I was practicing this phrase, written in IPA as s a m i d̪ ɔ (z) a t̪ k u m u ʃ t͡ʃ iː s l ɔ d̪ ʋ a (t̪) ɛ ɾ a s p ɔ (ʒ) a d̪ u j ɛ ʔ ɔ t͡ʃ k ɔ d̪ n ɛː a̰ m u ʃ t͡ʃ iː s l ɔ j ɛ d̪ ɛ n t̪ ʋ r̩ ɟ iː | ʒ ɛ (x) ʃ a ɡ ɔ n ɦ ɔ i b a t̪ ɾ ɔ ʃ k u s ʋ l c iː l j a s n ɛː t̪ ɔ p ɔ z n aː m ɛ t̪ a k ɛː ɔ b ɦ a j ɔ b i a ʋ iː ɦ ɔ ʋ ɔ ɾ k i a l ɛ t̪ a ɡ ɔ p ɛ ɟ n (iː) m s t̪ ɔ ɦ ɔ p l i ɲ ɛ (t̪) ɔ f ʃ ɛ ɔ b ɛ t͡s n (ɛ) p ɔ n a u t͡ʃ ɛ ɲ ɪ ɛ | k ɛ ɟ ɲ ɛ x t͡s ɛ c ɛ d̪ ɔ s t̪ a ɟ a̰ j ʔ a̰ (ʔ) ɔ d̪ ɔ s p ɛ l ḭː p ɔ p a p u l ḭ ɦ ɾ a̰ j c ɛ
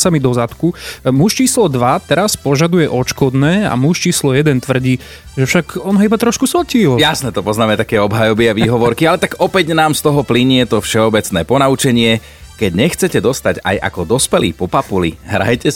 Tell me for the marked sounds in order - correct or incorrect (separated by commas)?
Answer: correct, correct, correct, incorrect, incorrect, correct, incorrect, incorrect